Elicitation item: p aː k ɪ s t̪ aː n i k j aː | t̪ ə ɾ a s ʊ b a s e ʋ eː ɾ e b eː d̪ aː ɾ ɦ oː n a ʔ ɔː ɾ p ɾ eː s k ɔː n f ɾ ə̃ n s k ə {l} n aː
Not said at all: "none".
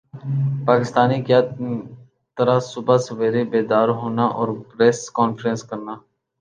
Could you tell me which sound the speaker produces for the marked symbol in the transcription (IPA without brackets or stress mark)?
ɾ